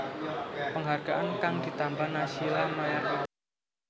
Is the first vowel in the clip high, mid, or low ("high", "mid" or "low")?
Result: mid